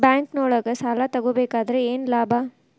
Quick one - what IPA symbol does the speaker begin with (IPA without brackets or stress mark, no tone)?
b